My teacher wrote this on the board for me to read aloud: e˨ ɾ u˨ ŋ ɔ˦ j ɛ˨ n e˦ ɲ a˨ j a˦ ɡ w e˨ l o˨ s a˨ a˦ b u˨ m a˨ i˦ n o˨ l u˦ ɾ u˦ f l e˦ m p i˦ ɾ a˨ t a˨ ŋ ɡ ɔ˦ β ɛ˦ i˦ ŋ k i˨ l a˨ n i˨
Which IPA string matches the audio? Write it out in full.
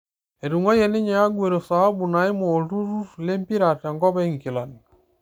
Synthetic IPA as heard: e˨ ɾ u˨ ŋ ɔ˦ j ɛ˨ n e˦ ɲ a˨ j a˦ ɡ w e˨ ɾ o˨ s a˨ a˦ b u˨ n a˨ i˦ m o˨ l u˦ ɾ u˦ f l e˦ m p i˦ ɾ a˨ t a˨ ŋ ɡ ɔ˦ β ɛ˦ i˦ ŋ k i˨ l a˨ n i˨